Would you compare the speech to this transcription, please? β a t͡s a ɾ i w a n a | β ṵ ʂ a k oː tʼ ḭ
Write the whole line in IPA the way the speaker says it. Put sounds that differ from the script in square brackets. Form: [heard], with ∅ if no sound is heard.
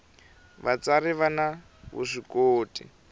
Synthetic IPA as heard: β a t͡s a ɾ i [β] a n a | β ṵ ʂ [i] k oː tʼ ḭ